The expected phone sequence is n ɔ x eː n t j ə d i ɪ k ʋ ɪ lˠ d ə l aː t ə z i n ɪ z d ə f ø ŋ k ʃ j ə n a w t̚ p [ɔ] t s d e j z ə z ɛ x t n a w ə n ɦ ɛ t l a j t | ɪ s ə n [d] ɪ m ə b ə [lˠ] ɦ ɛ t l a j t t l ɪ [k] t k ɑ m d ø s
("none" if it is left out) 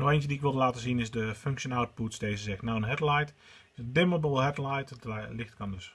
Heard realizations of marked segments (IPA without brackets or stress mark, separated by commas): u, d, lˠ, x